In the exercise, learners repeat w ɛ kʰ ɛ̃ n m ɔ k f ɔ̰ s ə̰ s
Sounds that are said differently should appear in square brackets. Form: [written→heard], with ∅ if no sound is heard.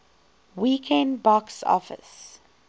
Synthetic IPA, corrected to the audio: w [ɛ→i] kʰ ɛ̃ n [m→b] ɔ k [f→s] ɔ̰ [s→f] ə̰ s